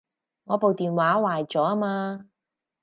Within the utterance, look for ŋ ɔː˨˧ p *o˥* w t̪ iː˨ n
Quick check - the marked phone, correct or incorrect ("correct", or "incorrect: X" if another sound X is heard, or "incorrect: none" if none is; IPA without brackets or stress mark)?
incorrect: o˨